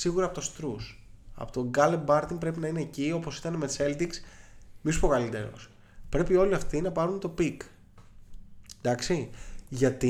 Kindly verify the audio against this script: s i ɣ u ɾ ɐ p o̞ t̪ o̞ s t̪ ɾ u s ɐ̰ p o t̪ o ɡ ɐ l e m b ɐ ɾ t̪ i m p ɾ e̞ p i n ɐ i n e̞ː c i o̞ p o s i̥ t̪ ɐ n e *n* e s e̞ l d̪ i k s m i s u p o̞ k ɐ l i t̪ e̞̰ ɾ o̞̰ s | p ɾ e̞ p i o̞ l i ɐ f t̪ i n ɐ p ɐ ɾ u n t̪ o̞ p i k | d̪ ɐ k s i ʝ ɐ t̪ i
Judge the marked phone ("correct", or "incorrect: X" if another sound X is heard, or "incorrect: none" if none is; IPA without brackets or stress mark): incorrect: m